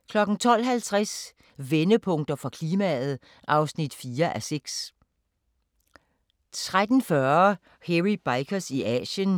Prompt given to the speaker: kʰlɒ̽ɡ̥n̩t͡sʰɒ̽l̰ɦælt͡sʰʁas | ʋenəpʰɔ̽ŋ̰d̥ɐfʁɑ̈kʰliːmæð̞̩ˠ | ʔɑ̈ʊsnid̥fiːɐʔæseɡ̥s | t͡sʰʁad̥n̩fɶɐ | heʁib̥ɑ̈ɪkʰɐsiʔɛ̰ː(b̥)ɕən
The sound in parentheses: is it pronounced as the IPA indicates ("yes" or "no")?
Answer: no